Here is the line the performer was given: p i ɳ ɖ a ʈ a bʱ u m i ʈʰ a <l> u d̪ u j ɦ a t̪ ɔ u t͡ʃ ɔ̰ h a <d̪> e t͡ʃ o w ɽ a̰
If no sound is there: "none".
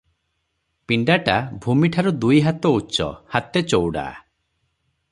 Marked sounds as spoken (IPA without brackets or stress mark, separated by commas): ɾ, t̪